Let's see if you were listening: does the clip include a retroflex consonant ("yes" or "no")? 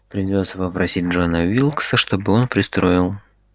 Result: yes